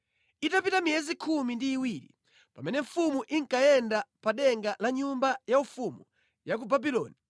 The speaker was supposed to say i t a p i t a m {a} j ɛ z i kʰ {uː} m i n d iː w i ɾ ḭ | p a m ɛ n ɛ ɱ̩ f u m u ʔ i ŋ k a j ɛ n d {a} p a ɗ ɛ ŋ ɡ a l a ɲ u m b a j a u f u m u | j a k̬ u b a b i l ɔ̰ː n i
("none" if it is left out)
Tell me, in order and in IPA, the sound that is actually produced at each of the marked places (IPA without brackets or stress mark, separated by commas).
i, u, a